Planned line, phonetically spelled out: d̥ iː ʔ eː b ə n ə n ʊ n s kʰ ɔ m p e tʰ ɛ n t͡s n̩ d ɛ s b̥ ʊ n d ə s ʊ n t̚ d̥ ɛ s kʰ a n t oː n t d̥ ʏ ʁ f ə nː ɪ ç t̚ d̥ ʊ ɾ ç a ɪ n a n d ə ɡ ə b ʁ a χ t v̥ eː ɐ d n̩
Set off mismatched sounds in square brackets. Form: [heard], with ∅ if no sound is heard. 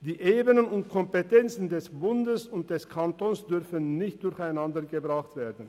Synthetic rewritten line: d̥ iː ʔ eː b ə n ə n ʊ n [t] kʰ ɔ m p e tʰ ɛ n t͡s n̩ d ɛ s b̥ ʊ n d ə s ʊ n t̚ d̥ ɛ s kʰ a n t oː n [s] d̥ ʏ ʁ f ə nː ɪ ç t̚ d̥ ʊ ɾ ç a ɪ n a n d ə ɡ ə b ʁ a χ t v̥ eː ɐ d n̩